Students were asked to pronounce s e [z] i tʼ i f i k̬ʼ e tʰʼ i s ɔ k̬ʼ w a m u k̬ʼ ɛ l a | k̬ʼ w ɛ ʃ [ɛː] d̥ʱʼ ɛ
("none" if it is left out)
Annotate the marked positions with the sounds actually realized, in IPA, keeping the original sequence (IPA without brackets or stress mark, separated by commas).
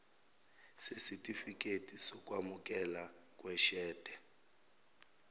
s, ɛː